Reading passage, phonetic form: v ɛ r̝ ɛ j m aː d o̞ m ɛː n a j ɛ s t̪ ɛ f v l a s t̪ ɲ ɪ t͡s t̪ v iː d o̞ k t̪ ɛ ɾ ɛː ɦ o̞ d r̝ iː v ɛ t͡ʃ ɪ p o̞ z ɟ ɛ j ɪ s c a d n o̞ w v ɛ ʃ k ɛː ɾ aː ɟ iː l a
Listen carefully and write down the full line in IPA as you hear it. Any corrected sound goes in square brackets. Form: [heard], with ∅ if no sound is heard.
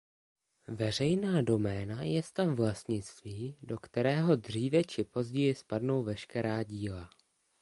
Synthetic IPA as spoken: v ɛ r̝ ɛ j [n] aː d o̞ m ɛː n a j ɛ s t̪ [a] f v l a s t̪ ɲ ɪ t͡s t̪ v iː d o̞ k t̪ ɛ ɾ ɛː ɦ o̞ d r̝ iː v ɛ t͡ʃ ɪ p o̞ z ɟ ɛ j ɪ s [p] a d n o̞ w v ɛ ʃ k [ɛ] ɾ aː ɟ iː l a

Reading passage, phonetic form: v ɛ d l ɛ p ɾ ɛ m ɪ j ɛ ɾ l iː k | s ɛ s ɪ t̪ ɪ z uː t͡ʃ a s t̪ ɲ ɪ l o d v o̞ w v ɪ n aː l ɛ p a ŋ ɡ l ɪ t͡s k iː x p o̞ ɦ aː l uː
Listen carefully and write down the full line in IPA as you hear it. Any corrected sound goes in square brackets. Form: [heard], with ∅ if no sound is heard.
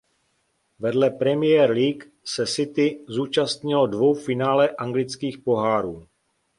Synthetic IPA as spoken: v ɛ d l ɛ p ɾ ɛ m ɪ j ɛ ɾ l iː k | s ɛ s ɪ t̪ ɪ z uː t͡ʃ a s t̪ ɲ ɪ l o d v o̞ w [f] ɪ n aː l ɛ [ʔ] a ŋ ɡ l ɪ t͡s k iː x p o̞ ɦ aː [ɾ] uː

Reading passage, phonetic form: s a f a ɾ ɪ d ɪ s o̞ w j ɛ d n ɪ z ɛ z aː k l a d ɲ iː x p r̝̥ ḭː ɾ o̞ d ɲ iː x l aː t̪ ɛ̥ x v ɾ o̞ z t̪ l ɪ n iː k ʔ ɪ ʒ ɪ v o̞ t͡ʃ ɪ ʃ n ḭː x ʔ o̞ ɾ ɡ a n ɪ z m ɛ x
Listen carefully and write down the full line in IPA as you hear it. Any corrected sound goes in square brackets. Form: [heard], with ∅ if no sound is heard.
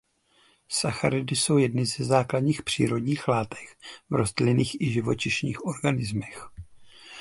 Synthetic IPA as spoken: s a [x] a ɾ ɪ d ɪ s o̞ w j ɛ d n ɪ z ɛ z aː k l a d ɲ iː x p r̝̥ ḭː ɾ o̞ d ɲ iː x l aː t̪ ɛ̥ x v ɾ o̞ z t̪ l ɪ n iː [x] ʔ ɪ ʒ ɪ v o̞ t͡ʃ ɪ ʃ [ɲ] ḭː x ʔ o̞ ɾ ɡ a n ɪ z m ɛ x

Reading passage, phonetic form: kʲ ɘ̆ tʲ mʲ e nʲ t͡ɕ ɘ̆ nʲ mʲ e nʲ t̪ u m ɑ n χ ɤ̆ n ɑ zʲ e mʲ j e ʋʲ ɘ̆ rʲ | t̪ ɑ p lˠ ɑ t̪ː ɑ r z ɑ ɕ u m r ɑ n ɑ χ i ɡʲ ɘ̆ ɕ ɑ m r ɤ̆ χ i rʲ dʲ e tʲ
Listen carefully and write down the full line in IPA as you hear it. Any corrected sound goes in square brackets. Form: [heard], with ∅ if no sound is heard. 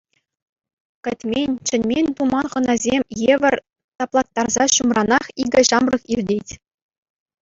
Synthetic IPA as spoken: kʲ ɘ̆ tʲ mʲ e nʲ t͡ɕ ɘ̆ nʲ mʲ e nʲ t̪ u m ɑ n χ ɤ̆ n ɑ zʲ e mʲ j e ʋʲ ɘ̆ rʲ | t̪ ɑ p lˠ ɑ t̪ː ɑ r z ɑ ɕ u m r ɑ n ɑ χ i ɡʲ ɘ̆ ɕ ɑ m r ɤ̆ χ i rʲ dʲ e tʲ

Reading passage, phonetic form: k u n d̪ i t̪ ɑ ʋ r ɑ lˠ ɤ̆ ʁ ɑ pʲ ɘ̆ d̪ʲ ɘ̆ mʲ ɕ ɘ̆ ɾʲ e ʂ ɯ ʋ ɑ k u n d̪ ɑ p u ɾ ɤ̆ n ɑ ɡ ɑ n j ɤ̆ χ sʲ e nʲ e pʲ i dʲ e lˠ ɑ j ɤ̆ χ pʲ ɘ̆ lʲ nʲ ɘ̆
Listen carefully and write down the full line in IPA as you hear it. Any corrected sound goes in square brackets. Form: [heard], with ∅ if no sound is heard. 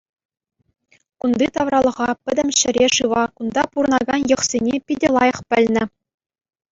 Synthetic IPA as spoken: k u n d̪ i t̪ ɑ ʋ r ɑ lˠ ɤ̆ ʁ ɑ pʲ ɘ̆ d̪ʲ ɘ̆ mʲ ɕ ɘ̆ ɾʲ e ʂ ɯ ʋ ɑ k u n d̪ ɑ p u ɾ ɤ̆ n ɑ ɡ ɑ n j ɤ̆ χ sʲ e nʲ e pʲ i dʲ e lˠ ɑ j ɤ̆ χ pʲ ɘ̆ lʲ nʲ ɘ̆

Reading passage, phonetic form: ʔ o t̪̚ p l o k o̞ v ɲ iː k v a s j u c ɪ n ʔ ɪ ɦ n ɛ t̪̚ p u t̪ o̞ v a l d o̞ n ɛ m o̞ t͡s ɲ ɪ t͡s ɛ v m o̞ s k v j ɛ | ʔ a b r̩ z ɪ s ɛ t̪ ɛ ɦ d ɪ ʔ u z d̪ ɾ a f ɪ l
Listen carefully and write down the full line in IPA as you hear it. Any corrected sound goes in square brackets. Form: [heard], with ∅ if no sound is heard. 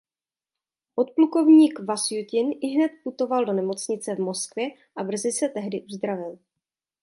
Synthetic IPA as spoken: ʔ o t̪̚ p l [u] k o̞ v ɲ iː k v a s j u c ɪ n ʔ ɪ ɦ n ɛ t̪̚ p u t̪ o̞ v a l d o̞ n ɛ m o̞ t͡s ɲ ɪ t͡s ɛ v m o̞ s k v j ɛ | ʔ a b r̩ z ɪ s ɛ t̪ ɛ ɦ d ɪ ʔ u z d̪ ɾ a [v] ɪ l

